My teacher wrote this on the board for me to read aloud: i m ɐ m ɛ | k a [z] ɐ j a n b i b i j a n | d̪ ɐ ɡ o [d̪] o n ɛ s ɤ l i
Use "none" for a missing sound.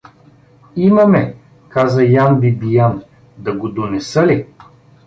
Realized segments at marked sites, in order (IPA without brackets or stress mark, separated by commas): z, d̪